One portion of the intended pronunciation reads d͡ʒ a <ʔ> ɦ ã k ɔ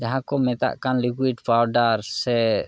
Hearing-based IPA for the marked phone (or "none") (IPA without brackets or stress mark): none